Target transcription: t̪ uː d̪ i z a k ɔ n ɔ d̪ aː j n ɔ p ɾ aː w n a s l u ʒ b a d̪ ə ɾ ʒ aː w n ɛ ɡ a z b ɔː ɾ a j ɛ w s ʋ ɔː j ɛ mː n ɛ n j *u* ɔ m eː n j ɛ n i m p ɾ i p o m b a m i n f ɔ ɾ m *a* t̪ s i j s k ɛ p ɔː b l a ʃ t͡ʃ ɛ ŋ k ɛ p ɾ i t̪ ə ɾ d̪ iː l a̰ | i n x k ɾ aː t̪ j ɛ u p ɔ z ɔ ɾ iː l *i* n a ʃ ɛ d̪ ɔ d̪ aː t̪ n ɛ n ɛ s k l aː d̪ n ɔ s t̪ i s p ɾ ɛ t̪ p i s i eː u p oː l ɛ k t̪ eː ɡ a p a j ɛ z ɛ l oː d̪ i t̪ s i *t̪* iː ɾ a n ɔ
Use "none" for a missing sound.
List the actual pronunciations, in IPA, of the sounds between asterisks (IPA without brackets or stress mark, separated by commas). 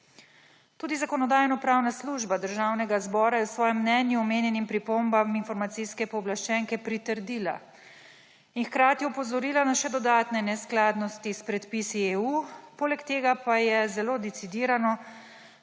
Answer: u, a, a, d̪